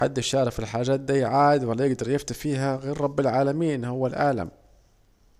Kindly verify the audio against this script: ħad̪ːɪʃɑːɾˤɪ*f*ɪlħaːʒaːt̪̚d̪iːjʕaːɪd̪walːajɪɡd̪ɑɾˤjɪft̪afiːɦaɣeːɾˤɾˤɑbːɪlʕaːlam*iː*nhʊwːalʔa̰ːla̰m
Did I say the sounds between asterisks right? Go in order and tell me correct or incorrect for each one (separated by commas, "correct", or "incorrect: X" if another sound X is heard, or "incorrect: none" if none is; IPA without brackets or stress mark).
correct, correct